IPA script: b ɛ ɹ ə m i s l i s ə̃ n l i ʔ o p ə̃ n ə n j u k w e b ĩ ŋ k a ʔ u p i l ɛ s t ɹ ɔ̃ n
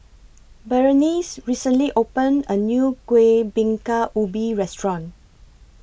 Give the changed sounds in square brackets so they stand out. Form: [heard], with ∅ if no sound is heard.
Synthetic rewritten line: b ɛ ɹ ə [n] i s [ɹ] i s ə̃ n l i ʔ o p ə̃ n ə n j u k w e b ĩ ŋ k a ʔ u [b] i [ɹ] ɛ s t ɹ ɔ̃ n